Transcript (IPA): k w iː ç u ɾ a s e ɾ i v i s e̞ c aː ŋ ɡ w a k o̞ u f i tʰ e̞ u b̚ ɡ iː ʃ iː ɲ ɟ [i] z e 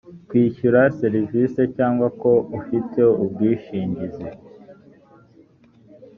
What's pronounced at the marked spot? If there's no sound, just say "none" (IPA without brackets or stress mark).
i